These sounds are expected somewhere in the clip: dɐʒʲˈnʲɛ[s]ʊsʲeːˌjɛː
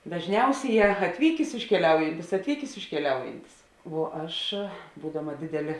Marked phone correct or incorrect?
incorrect